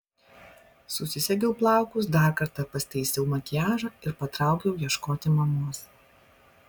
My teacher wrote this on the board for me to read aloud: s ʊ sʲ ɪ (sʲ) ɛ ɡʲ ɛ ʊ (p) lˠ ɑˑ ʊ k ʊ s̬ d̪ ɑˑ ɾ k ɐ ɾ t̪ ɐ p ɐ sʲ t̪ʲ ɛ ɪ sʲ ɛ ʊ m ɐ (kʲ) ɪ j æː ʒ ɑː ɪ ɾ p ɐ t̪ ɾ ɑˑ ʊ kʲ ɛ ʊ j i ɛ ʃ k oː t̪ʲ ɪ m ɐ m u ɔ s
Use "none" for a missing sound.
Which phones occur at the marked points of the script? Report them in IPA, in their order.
sʲ, p, kʲ

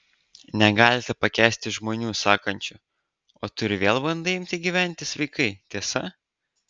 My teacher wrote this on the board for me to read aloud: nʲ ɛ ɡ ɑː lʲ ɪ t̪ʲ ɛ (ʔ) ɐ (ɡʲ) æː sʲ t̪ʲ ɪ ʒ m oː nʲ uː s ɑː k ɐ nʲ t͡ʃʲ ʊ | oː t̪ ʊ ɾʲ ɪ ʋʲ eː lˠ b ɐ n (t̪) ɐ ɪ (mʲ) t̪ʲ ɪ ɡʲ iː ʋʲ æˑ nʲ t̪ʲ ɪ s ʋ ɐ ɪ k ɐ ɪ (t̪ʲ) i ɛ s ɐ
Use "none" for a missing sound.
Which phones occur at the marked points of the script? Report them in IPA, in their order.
p, kʲ, d̪, mʲ, t̪ʲ

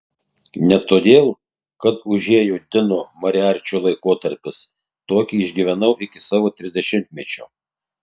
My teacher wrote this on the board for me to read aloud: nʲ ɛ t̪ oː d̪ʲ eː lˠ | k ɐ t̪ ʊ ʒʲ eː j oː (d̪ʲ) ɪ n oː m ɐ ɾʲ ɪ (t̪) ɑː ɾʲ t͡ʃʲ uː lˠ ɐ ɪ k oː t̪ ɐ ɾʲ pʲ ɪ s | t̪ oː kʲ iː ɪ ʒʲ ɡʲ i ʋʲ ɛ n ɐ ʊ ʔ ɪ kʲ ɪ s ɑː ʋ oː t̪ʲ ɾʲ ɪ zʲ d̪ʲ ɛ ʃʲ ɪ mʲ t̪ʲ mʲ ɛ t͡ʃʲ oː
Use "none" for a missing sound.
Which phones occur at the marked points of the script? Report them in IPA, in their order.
d̪ʲ, none

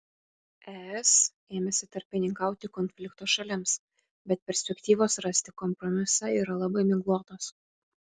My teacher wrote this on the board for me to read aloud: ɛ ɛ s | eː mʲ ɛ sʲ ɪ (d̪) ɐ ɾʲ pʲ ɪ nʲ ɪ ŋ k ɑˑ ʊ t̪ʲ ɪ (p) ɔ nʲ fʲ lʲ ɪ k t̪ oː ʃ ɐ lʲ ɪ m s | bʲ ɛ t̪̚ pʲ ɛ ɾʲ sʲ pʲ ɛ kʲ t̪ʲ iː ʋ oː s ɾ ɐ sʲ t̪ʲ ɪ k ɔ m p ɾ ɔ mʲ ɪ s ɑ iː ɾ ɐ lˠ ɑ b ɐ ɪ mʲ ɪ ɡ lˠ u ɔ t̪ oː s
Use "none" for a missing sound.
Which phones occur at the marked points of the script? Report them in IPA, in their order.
t̪, k

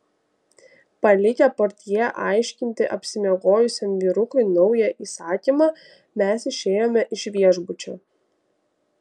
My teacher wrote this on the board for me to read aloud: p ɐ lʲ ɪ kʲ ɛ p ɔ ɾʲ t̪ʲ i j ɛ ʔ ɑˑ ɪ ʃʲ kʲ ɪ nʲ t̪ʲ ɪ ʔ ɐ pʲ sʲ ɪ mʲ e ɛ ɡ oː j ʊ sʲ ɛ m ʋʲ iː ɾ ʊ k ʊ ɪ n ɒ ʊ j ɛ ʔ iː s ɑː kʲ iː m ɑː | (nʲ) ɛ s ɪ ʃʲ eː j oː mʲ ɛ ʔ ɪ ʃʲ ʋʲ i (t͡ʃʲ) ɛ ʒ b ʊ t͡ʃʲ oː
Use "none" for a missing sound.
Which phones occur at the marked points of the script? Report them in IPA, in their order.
mʲ, none

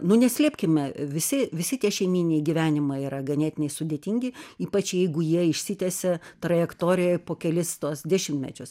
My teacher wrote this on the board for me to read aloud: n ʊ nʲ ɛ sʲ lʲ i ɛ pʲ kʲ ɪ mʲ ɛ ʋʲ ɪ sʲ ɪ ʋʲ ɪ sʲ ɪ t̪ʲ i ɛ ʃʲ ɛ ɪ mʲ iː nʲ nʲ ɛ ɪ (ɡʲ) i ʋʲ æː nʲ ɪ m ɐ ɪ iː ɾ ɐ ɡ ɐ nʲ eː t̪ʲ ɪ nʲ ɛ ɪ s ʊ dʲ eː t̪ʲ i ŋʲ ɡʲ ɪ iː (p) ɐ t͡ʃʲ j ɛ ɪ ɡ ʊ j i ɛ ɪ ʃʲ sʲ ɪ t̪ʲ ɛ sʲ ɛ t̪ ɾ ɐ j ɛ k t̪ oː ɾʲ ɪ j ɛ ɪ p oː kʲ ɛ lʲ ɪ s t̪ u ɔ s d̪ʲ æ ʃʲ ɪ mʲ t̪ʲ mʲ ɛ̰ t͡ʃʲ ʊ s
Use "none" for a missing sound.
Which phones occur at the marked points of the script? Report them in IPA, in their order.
ɡʲ, p

